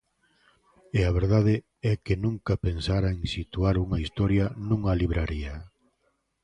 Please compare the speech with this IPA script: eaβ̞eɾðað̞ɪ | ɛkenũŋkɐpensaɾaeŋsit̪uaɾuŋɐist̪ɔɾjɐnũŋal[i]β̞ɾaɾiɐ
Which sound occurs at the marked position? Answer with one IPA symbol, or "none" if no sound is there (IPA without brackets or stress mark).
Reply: i